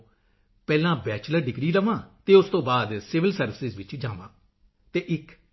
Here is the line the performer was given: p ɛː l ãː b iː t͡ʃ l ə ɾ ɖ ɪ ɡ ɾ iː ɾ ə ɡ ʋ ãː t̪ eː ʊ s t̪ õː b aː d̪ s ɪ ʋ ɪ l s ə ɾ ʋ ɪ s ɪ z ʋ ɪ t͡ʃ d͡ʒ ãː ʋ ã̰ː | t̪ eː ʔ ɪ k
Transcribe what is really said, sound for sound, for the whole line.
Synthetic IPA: p ɛː l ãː b ɛː t͡ʃ l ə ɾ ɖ ɪ ɡ ɾ iː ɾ ə ʋ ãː t̪ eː ʊ s t̪ õː b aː d̪ s ɪ ʋ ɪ l s ə ɾ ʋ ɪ s ɪ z ʋ ɪ t͡ʃ d͡ʒ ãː ʋ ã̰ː | t̪ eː ʔ ɪ k